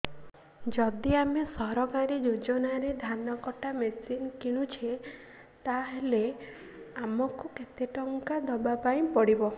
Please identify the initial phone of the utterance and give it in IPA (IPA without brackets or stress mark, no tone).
d͡ʒ